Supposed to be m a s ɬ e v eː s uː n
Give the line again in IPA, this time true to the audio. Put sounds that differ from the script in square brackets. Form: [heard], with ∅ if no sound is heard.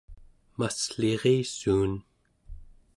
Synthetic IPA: m a s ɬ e [ʁ] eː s uː n